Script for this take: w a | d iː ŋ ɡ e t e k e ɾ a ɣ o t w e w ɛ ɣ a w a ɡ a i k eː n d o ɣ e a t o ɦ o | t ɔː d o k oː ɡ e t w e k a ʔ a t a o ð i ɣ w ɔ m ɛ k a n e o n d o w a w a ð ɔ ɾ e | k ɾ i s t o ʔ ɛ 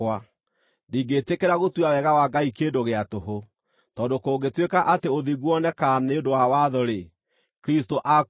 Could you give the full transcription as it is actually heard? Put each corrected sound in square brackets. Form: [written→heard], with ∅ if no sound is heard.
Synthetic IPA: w a | d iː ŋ ɡ e t e k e ɾ a ɣ o t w [e→a] w ɛ ɣ a w a ɡ a i k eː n d o ɣ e a t o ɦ o | t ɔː d o k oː ɡ e t w e k a ʔ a t [a→e] o ð i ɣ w ɔ [m→n] ɛ k a n e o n d o w a w a ð ɔ ɾ e | k ɾ i s t o ʔ [ɛ→a]